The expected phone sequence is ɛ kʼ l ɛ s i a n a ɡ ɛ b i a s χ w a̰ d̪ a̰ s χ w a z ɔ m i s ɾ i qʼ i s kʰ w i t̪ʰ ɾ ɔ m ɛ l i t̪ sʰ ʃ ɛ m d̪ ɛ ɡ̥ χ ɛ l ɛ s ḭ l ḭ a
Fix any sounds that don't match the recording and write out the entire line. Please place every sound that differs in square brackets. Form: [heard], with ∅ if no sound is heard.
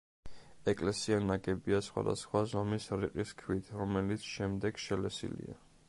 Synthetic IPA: ɛ kʼ l ɛ s i a n a ɡ ɛ b i a s χ w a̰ d̪ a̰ s χ w a z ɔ m i s ɾ i qʼ i s kʰ w i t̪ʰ ɾ ɔ m ɛ l i t̪ sʰ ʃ ɛ m d̪ ɛ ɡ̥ [ʃ] ɛ l ɛ s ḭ l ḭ a